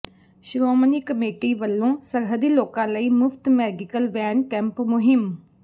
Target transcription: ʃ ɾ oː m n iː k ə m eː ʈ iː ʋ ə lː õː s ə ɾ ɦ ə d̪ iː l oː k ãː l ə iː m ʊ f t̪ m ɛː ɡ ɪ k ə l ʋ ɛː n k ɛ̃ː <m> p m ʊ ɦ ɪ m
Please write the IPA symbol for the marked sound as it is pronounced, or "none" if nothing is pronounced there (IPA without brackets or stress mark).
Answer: m